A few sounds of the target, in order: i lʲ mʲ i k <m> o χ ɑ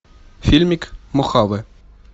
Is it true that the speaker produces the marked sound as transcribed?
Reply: yes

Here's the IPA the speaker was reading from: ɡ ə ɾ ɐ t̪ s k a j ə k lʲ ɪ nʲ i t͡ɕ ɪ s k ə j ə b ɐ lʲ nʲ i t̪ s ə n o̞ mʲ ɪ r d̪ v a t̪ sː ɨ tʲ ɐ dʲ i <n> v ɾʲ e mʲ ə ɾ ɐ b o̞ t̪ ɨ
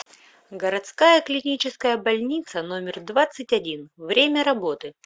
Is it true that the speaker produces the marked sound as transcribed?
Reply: yes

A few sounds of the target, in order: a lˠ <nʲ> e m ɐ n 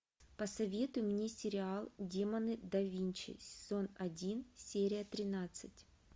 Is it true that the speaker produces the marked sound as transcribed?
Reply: no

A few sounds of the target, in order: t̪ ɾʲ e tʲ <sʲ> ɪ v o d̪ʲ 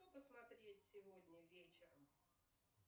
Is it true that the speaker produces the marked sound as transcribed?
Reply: yes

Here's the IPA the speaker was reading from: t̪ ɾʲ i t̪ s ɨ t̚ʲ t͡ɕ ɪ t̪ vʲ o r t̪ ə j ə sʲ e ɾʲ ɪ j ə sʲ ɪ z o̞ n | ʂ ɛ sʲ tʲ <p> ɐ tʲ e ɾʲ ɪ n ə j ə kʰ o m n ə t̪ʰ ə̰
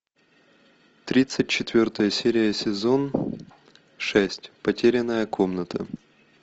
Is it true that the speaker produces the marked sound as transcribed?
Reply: yes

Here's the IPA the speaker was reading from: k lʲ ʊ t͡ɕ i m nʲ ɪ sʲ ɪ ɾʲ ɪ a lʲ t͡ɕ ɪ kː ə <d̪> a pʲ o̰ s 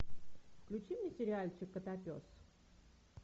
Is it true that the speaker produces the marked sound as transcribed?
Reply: no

